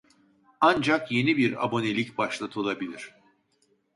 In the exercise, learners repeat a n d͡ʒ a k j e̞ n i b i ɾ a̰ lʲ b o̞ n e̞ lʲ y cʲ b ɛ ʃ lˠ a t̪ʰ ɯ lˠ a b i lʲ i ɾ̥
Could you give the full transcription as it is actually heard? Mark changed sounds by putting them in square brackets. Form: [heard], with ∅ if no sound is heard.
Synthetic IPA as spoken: a n d͡ʒ a k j e̞ n i b i ɾ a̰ [∅] b o̞ n e̞ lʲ [i] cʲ b [a] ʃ lˠ a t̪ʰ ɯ lˠ a b i lʲ i ɾ̥